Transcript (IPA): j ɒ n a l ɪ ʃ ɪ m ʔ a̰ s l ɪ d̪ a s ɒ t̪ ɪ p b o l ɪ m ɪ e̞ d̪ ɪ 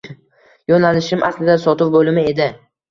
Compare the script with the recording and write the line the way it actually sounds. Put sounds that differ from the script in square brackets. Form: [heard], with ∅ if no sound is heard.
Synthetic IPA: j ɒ n a l ɪ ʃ ɪ m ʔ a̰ s l ɪ d̪ a s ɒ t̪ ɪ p b o l ɪ m ɪ e̞ d̪ ɪ